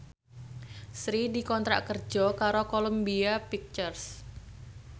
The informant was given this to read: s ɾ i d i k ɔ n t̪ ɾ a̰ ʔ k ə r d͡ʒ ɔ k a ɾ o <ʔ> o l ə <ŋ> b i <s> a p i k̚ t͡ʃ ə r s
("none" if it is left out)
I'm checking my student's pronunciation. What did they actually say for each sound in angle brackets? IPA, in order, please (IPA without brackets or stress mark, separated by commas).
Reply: k, m, none